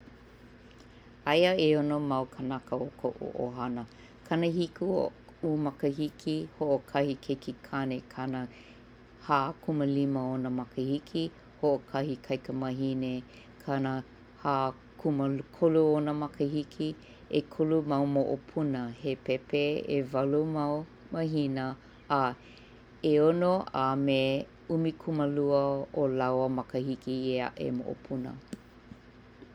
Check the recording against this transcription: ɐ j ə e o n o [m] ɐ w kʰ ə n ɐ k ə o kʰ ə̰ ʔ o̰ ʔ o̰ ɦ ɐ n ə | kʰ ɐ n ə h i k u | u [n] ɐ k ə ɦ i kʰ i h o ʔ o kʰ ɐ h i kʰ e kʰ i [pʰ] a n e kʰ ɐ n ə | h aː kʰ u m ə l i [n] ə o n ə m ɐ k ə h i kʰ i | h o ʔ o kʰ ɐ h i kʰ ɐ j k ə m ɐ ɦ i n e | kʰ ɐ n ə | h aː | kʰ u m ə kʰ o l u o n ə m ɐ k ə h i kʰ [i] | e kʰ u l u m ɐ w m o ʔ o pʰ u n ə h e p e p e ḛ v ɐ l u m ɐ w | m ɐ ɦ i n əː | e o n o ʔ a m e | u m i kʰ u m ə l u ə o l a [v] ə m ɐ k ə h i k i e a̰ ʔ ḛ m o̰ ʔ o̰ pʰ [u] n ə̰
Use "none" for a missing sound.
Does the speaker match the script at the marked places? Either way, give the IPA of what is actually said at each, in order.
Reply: m, m, kʰ, m, i, w, u

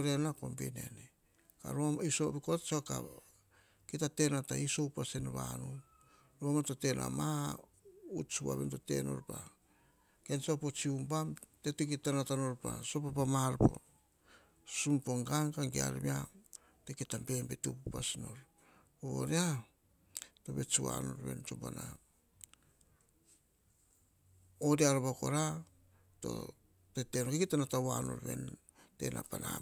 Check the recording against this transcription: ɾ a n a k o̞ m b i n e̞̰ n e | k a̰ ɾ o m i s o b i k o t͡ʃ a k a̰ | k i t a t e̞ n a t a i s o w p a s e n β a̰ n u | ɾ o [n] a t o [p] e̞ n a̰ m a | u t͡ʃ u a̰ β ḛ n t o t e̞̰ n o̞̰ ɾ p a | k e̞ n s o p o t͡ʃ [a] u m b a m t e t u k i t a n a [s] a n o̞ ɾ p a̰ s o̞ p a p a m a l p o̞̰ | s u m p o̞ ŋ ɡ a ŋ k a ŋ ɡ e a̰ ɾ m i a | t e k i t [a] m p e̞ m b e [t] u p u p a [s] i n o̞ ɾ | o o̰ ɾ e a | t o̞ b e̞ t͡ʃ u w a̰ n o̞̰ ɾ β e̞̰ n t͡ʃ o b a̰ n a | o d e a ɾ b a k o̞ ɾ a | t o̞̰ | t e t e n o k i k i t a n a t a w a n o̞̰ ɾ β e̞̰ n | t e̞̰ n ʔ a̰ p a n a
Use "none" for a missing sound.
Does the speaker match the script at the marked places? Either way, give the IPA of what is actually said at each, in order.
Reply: m, t, i, t, a, t, s

